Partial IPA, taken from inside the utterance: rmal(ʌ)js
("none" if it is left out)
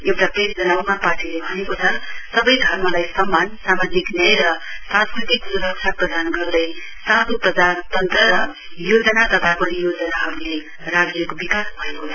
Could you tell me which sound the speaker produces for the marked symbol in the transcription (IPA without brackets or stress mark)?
a